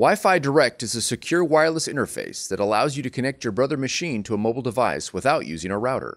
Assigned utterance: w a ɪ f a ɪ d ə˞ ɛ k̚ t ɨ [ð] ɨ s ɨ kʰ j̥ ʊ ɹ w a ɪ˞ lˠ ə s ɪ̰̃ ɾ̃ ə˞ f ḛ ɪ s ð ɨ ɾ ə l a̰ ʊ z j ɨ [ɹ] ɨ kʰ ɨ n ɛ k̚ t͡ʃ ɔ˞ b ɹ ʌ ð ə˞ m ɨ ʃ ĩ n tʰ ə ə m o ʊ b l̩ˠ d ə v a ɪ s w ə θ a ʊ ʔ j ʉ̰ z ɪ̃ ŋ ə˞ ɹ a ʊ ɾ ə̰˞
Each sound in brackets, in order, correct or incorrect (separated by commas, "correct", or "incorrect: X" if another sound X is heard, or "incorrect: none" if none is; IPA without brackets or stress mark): incorrect: z, incorrect: ɾ